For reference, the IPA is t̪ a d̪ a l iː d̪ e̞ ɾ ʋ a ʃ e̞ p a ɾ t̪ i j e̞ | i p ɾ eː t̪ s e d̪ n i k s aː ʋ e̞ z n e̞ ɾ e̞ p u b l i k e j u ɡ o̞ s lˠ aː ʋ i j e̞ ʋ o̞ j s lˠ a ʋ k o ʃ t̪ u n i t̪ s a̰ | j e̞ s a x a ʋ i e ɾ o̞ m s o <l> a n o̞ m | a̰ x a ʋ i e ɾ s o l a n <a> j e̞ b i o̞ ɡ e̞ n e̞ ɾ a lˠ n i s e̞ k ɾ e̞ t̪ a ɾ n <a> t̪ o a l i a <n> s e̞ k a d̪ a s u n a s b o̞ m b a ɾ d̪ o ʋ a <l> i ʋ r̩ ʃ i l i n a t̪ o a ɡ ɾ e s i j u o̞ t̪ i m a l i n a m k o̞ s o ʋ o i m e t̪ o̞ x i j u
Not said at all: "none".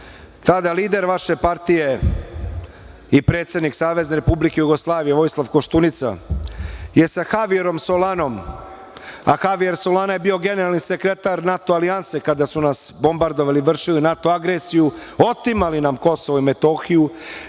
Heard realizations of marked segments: l, a, a, n, l

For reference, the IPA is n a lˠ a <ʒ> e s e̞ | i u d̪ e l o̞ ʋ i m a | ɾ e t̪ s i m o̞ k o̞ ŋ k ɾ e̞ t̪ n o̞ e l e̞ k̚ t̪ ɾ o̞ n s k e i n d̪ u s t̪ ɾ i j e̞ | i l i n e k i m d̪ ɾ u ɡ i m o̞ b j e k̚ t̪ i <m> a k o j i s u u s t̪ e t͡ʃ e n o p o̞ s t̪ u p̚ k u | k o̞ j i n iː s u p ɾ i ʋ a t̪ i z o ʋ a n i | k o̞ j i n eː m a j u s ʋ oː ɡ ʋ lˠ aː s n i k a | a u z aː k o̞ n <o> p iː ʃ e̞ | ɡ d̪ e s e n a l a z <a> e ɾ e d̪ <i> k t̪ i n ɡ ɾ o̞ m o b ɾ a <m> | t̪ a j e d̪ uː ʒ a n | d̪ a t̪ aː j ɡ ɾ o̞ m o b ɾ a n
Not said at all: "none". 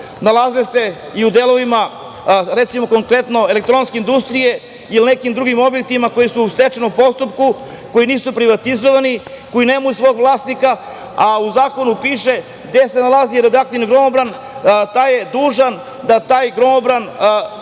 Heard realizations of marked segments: z, m, u, i, a, n

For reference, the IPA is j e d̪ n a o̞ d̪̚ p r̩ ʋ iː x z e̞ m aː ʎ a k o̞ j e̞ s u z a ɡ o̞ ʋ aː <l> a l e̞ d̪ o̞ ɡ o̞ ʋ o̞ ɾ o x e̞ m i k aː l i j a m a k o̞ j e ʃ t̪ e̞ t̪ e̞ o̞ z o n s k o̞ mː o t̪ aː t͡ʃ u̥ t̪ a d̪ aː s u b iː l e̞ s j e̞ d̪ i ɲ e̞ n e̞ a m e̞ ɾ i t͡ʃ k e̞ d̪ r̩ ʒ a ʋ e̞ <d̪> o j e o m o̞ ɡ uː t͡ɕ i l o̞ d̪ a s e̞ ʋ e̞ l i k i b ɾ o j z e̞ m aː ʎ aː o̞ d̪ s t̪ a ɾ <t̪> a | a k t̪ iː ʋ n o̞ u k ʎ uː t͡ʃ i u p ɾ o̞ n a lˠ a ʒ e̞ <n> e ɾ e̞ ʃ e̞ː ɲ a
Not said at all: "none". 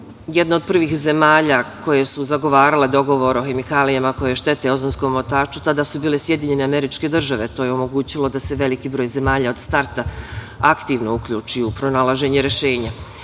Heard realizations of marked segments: ɾ, t̪, t̪, ɲ

